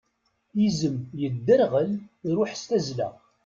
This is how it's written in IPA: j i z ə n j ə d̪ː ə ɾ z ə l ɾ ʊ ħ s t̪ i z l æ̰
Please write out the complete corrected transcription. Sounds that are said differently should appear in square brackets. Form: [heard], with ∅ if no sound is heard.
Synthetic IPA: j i z ə [m] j ə d̪ː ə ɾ [ʁ] ə l ɾ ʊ ħ s t̪ [æ] z l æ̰